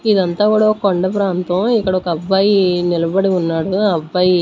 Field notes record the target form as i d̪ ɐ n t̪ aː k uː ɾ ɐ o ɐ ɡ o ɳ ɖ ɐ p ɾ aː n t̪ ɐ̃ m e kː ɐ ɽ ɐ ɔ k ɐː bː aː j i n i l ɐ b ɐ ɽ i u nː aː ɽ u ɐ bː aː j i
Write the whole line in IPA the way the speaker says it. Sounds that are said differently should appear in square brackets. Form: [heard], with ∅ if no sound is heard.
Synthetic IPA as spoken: i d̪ ɐ n t̪ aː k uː [ɽ] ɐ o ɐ [k] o ɳ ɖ ɐ p ɾ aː n t̪ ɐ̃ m [i] kː ɐ ɽ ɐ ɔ k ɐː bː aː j i n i l ɐ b ɐ ɽ i u nː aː ɽ u ɐ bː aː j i